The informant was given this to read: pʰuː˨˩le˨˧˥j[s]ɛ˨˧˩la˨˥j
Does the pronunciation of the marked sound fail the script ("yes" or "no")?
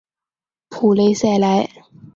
no